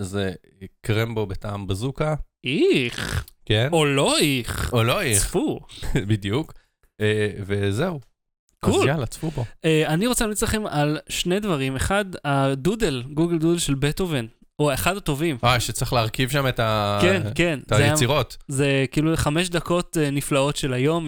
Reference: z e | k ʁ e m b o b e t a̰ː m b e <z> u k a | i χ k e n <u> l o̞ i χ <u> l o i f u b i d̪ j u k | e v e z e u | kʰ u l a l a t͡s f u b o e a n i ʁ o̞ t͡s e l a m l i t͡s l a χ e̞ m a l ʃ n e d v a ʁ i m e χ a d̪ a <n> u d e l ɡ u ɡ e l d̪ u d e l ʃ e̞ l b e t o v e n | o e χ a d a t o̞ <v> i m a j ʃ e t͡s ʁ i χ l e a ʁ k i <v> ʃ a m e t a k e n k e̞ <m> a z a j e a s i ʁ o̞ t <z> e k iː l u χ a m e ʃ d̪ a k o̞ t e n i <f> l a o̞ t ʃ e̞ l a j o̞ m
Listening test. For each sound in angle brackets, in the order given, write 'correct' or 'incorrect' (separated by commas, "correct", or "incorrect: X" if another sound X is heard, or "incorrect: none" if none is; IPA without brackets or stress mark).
correct, incorrect: o, incorrect: o, incorrect: d, correct, correct, incorrect: n, correct, correct